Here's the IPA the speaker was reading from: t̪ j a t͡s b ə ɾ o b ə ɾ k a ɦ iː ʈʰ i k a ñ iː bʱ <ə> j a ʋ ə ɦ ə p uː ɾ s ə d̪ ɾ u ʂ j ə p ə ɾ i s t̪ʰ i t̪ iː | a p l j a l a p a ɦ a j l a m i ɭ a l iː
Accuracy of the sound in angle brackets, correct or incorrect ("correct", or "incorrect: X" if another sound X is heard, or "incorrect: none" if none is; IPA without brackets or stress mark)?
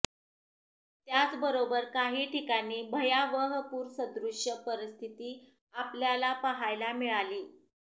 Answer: correct